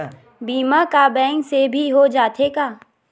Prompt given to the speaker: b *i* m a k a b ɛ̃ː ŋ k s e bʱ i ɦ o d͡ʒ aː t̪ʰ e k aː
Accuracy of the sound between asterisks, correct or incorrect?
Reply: incorrect